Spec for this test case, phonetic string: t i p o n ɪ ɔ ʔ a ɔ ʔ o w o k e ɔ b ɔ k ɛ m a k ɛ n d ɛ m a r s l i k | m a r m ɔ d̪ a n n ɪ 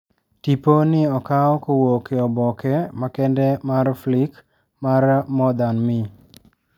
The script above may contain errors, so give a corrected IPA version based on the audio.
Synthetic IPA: t i p o n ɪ ɔ k a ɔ k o w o k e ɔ b ɔ k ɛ m a k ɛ n d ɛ m a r f l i k | m a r m ɔ d̪ a n m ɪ

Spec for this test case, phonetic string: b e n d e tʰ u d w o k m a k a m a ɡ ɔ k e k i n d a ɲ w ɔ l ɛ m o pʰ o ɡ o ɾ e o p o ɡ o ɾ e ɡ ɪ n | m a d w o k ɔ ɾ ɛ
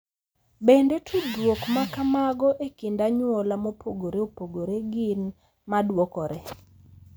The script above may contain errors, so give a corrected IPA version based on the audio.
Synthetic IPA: b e n d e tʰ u d w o k m a k a m a ɡ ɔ ʔ e k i n d a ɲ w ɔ l a m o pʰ o ɡ o ɾ e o p o ɡ o ɾ e ɡ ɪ n | m a d w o k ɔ ɾ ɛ

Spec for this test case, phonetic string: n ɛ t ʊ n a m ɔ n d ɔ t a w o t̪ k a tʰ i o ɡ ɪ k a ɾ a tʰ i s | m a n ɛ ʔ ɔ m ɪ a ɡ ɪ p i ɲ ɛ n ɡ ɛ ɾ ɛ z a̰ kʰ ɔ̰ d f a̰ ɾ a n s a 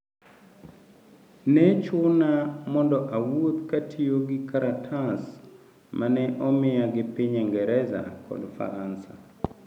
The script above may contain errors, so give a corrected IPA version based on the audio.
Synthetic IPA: n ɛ t͡ʃ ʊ n a m ɔ n d ɔ ʔ a w o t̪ k a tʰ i o ɡ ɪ k a ɾ a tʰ a s | m a n ɛ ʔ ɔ m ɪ a ɡ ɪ p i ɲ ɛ ŋ ɡ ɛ ɾ ɛ z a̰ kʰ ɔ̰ d f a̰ ɾ a n s a

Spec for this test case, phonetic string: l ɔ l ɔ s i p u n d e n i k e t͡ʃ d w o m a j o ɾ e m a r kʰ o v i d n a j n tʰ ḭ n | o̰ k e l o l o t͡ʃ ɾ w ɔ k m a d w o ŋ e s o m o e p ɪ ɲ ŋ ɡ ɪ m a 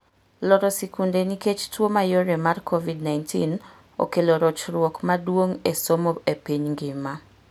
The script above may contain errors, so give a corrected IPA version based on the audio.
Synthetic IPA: l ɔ ɾ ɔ s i k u n d e n i k e t͡ʃ t w o m a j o ɾ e m a r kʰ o v i d n a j n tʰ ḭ n | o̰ k e l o ɾ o t͡ʃ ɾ w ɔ k m a d w o ŋ e s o m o e p i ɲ ŋ ɡ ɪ m a

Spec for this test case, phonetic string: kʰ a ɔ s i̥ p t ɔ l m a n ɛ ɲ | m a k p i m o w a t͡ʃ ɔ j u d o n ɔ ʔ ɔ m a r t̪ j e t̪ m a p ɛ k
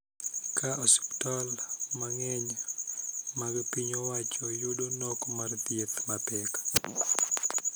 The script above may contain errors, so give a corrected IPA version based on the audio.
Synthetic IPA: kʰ a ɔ s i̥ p t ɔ l m a ŋ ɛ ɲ | m a ɡ p i ɲ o w a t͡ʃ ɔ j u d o n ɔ k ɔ m a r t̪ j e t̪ m a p ɛ k

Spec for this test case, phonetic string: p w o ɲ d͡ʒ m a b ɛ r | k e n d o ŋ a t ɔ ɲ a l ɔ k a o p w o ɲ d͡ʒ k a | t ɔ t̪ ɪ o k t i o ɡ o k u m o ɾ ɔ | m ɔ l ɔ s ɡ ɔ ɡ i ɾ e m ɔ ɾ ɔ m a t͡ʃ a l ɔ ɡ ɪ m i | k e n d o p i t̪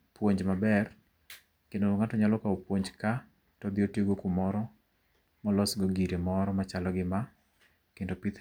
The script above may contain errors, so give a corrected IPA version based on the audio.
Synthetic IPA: p w o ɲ d͡ʒ m a b ɛ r | k e n d o ŋ a t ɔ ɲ a l ɔ k a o p w o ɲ d͡ʒ k a | t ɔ d̪ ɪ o t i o ɡ o k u m ɔ ɾ ɔ | m ɔ l ɔ s ɡ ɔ ɡ i ɾ e m ɔ ɾ ɔ m a t͡ʃ a l ɔ ɡ ɪ m a | k e n d o p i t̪

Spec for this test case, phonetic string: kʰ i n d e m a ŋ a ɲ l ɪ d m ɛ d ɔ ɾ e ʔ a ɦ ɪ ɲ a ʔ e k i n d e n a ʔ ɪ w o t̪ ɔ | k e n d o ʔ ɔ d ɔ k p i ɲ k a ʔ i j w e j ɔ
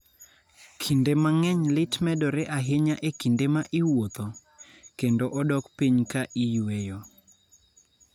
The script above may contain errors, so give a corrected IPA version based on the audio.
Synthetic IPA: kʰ i n d e m a ŋ ɛ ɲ l ɪ t m ɛ d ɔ ɾ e ʔ a ɦ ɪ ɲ a ʔ e k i n d e m a ʔ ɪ w o t̪ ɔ | k e n d o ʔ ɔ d ɔ k p i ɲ k a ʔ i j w e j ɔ

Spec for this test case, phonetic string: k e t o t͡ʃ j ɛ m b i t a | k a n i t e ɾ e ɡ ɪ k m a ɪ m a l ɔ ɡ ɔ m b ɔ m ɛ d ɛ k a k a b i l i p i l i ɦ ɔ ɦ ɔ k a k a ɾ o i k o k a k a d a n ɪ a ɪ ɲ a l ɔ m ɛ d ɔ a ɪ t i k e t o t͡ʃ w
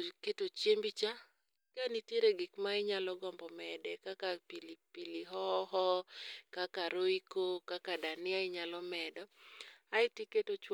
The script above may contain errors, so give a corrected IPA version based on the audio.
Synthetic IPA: k e t o t͡ʃ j e m b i t͡ʃ a | k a n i t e ɾ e ɡ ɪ k m a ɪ ɲ a l ɔ ɡ ɔ m b ɔ m ɛ d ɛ k a k a p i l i p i l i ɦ ɔ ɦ ɔ k a k a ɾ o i k o k a k a d a n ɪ a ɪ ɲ a l ɔ m ɛ d ɔ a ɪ t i k e t o t͡ʃ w

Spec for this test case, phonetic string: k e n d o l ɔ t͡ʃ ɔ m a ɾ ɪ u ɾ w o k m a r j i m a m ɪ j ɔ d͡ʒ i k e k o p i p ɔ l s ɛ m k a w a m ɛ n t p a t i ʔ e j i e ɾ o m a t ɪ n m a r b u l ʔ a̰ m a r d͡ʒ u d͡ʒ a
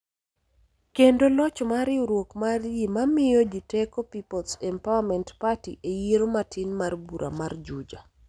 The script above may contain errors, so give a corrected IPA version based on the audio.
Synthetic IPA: k e n d o l ɔ t͡ʃ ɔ m a ɾ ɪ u ɾ w o k m a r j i m a m ɪ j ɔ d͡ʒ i t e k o p i p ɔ l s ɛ m p a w a m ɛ n t p a t i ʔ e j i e ɾ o m a t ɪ n m a r b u ɾ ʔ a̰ m a r d͡ʒ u d͡ʒ a

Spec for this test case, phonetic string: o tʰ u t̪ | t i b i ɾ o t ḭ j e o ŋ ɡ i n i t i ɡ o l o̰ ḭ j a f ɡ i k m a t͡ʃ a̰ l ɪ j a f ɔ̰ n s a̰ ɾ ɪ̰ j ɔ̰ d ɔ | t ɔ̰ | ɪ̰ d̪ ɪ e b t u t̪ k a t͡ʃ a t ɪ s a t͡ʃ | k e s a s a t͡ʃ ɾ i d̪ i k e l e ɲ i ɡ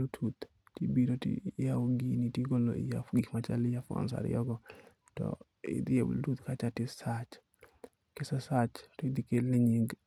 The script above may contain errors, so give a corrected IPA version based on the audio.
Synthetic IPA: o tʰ u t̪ | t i b i ɾ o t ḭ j a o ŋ ɡ i n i t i ɡ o l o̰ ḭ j a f ɡ i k m a t͡ʃ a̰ l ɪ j a f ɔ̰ n s a̰ ɾ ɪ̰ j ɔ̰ ɡ ɔ | t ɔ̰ | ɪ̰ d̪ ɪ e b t u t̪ k a t͡ʃ a t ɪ s a t͡ʃ | k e s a s a t͡ʃ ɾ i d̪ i k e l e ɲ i ɡ

